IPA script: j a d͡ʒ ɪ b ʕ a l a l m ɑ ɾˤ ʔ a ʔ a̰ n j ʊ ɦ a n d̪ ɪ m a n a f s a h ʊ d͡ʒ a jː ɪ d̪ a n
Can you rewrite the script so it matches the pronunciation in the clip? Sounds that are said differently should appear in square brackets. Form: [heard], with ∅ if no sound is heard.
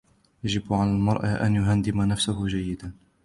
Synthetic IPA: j a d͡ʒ ɪ b ʕ a l a l m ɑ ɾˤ ʔ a ʔ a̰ n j ʊ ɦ a n d̪ ɪ m a n a f s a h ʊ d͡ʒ a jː ɪ d̪ a n